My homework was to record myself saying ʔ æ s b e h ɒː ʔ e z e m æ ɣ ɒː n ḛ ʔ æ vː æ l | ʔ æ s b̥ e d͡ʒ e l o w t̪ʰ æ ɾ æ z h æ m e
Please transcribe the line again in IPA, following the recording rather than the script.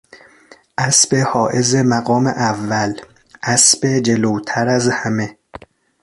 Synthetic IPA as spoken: ʔ æ s b e h ɒː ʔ e z e m æ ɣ ɒː m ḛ ʔ æ vː æ l | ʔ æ s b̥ e d͡ʒ e l o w t̪ʰ æ ɾ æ z h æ m e